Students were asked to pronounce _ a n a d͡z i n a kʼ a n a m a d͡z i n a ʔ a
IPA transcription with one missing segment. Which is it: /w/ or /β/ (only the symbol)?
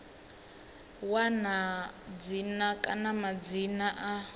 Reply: w